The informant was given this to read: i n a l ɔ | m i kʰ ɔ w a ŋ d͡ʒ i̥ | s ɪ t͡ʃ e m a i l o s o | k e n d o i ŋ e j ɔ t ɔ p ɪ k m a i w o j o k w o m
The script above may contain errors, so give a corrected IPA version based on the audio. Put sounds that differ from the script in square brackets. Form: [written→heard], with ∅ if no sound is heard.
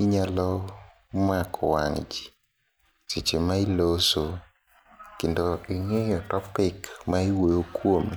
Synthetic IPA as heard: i [n→ɲ] a l ɔ | m [i→a] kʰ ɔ w a ŋ d͡ʒ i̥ | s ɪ t͡ʃ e m a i l o s o | k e n d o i ŋ e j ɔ t ɔ p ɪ k m a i w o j o k w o m